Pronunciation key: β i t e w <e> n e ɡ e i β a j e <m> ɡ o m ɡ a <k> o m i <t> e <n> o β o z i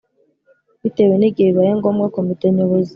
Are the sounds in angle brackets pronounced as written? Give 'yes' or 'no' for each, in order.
yes, no, yes, yes, no

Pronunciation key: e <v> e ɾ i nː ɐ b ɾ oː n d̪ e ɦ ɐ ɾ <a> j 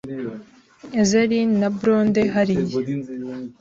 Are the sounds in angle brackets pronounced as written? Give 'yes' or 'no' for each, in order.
no, no

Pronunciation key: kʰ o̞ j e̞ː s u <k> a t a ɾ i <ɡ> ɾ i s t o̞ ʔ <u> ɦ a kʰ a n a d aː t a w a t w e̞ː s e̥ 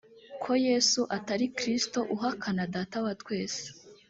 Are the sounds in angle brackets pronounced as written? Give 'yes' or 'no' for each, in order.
no, no, yes

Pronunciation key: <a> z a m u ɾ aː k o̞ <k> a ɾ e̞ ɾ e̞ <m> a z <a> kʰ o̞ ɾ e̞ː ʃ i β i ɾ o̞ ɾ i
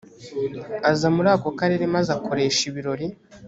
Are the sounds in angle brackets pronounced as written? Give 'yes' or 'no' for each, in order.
yes, yes, yes, yes

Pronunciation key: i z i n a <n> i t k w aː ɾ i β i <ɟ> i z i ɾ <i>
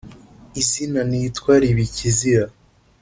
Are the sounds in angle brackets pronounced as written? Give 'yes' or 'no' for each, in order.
yes, no, no

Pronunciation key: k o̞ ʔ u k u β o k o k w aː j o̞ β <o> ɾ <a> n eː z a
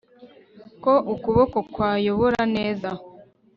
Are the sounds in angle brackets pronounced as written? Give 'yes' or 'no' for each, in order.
yes, yes

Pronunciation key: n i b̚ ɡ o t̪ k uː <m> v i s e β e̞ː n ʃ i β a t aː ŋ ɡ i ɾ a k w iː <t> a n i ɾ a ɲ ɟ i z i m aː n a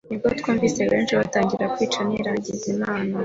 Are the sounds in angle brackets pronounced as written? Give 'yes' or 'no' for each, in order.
yes, no

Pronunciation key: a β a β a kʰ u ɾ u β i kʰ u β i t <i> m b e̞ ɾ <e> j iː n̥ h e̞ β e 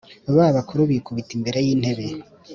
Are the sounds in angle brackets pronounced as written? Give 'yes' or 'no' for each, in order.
yes, yes

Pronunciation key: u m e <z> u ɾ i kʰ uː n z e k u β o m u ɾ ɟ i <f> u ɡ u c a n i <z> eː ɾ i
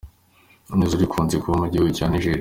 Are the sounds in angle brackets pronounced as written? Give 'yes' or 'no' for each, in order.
yes, no, no

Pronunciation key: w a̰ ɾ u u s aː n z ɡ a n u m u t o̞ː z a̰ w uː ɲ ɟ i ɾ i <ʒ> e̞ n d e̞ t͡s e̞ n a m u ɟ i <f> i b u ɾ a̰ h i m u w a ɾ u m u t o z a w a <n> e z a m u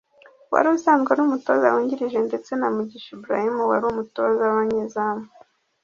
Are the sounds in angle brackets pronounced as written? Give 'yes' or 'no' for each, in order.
yes, no, no

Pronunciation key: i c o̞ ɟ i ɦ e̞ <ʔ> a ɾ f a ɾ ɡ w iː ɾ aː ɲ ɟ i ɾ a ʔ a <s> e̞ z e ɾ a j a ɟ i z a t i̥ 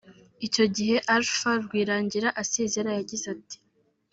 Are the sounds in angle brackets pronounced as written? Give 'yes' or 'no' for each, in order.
yes, yes

